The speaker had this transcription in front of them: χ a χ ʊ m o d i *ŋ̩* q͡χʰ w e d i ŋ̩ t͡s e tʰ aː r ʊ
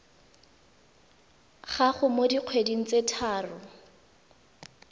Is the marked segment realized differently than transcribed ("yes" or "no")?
yes